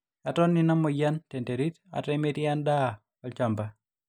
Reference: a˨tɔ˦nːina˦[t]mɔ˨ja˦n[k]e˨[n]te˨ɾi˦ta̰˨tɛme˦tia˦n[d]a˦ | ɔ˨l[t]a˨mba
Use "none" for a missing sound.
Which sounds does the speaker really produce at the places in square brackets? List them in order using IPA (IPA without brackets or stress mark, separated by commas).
none, t, n, d, t͡ʃ